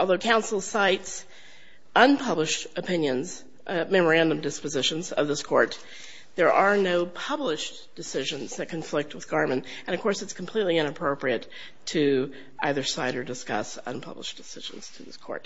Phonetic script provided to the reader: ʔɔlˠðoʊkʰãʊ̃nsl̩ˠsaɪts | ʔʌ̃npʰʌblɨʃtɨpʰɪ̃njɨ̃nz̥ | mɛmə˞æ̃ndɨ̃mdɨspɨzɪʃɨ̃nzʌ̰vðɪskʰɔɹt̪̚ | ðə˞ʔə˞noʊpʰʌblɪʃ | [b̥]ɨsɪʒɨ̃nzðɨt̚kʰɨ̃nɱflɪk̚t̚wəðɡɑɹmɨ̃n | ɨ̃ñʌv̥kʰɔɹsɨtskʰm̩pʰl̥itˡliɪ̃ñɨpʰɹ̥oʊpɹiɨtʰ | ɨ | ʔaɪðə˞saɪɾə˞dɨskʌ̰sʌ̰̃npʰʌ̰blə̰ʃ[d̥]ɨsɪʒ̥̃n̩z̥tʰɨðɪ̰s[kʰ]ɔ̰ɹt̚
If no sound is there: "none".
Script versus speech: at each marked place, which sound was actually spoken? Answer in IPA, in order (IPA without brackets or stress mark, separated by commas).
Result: d̥, d̥, kʰ